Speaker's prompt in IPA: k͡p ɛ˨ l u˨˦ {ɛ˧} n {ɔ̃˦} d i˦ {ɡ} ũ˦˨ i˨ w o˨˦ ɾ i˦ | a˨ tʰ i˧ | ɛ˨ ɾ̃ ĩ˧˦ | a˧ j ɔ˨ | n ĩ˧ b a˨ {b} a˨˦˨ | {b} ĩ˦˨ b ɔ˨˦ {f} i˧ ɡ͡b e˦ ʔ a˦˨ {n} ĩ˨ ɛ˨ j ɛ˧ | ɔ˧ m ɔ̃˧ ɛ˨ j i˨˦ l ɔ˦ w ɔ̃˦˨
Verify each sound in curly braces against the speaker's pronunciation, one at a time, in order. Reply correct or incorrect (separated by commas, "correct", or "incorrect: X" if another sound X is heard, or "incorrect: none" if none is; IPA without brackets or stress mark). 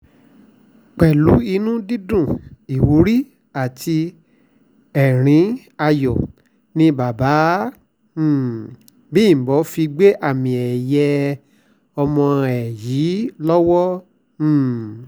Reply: incorrect: i˧, incorrect: ũ˦, incorrect: d, correct, correct, correct, incorrect: m